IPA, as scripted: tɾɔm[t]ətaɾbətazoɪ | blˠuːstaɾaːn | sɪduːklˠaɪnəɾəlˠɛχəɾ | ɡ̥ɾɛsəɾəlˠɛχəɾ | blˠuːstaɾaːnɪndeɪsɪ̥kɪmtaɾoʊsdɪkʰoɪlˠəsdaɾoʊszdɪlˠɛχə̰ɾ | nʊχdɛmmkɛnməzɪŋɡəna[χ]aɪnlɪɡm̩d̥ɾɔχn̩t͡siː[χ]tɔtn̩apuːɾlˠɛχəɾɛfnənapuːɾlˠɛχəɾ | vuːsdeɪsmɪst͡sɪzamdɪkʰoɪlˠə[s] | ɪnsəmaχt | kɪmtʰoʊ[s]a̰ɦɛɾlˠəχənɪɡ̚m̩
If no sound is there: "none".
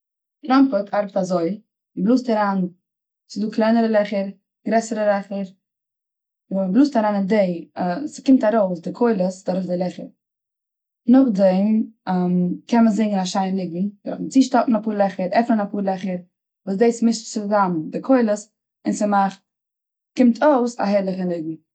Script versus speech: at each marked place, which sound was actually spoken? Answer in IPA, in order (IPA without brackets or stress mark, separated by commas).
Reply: p, ʃ, ʃ, s, s